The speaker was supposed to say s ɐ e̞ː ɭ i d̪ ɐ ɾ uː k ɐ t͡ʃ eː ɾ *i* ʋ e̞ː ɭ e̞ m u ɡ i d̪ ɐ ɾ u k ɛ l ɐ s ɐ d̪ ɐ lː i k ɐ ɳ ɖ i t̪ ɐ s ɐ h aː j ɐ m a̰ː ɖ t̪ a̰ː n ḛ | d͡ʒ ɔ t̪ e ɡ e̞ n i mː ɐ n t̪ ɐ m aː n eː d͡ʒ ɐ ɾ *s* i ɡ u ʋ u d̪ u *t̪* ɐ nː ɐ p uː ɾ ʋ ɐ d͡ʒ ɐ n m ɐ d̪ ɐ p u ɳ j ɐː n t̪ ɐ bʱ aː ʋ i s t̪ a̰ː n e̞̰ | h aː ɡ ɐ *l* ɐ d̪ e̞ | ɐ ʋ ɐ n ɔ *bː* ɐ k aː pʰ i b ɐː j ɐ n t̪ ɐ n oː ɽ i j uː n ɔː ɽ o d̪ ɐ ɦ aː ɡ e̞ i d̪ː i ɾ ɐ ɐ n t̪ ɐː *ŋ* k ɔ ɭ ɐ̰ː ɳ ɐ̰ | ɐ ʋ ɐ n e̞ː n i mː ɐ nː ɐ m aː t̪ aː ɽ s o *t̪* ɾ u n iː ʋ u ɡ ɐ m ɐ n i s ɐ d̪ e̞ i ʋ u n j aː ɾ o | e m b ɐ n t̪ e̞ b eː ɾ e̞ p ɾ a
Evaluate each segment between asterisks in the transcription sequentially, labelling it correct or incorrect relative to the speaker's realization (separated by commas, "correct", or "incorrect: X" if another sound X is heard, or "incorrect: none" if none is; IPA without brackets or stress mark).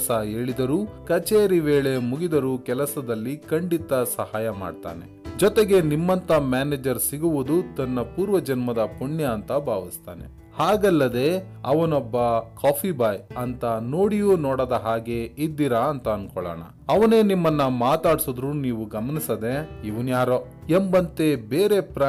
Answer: correct, correct, correct, incorrect: lː, correct, incorrect: n, incorrect: d̪